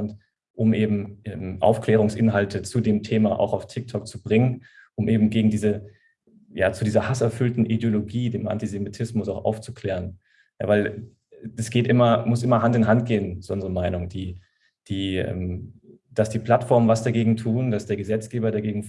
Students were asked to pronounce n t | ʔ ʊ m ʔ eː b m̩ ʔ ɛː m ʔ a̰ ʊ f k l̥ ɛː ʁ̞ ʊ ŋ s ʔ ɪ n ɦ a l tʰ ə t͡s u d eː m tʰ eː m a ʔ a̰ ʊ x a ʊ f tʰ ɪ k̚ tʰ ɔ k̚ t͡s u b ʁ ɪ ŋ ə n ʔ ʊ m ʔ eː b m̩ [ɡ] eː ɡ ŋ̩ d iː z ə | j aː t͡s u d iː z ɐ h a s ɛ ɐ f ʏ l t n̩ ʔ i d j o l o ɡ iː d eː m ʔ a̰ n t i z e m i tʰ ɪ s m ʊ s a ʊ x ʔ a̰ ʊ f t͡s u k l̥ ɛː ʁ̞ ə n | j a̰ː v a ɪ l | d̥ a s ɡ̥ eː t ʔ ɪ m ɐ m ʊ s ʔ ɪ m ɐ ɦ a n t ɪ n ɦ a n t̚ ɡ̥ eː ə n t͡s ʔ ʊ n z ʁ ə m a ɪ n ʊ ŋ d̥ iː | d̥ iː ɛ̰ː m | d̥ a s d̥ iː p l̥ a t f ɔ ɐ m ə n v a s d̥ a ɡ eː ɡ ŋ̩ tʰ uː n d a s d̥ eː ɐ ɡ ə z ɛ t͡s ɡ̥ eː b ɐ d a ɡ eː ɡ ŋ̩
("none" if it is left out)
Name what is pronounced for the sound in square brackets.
ɡ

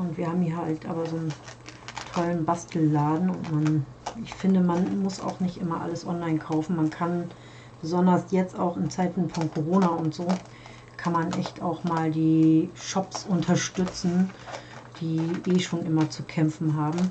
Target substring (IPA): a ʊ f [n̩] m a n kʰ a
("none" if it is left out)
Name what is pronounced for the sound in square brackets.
n̩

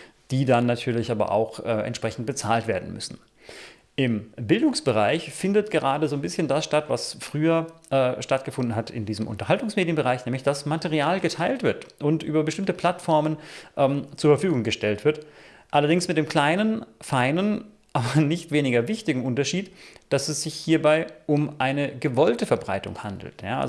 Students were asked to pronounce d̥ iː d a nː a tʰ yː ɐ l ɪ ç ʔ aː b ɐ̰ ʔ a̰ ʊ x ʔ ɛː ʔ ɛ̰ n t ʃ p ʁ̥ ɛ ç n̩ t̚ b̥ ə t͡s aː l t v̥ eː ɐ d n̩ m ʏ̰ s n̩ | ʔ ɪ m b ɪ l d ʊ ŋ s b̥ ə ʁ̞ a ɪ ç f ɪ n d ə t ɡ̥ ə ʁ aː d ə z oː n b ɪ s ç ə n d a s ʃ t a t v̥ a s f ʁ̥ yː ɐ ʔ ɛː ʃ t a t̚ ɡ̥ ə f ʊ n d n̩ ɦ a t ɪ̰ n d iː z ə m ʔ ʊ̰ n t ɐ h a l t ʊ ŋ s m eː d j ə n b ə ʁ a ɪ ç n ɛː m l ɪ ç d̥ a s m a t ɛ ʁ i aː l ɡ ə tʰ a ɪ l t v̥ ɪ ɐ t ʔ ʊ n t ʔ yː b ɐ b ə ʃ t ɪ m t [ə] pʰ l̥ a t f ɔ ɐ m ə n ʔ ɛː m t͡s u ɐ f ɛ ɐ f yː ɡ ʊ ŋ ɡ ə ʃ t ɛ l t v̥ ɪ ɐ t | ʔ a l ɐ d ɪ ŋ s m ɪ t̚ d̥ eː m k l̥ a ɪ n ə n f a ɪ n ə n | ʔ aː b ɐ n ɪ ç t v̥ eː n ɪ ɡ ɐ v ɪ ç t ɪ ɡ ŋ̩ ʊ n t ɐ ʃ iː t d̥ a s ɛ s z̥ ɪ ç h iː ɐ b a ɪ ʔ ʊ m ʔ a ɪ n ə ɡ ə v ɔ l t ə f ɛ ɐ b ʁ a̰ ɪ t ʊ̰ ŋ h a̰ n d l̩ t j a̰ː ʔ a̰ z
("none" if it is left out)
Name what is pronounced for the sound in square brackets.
ə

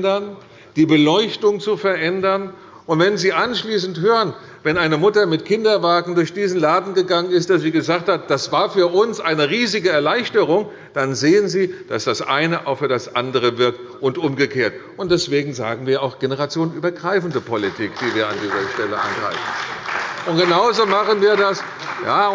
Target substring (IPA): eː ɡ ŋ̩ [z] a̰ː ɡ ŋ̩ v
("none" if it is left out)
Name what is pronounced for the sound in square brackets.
z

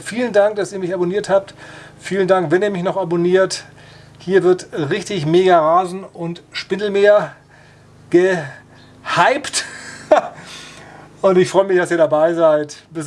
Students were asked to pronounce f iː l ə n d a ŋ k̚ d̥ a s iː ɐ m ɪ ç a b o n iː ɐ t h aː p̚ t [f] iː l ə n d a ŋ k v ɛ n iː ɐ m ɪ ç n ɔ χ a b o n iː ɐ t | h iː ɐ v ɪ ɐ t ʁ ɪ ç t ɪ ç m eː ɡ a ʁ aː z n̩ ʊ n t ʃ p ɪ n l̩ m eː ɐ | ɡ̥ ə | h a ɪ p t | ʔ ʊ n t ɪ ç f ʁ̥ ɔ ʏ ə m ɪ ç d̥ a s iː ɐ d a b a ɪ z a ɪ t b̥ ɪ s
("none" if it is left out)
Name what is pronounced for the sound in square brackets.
f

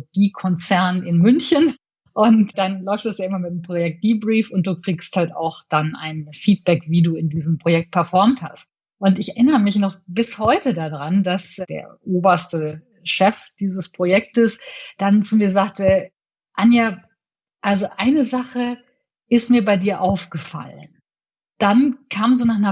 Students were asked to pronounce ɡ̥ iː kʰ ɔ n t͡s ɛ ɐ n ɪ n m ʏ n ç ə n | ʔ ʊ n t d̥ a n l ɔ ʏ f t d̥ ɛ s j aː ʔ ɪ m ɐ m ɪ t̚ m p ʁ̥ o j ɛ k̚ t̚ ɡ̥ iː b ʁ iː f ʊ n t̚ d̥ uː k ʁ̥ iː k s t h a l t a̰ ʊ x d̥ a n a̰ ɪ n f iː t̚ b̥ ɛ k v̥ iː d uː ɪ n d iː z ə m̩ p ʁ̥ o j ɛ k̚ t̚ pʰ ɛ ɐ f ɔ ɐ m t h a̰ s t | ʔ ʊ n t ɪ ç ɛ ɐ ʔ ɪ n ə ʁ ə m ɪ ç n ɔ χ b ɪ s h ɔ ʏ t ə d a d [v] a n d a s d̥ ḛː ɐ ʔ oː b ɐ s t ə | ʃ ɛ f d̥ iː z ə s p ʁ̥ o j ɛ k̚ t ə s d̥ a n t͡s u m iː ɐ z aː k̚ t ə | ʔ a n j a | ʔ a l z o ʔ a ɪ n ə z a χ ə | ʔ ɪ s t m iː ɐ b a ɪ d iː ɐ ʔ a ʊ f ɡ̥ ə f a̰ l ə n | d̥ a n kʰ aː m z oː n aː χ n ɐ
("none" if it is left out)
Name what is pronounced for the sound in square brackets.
ʁ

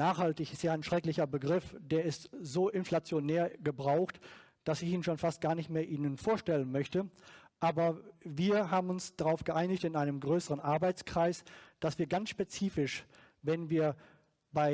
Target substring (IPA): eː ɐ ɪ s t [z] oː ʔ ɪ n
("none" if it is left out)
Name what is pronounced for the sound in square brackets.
z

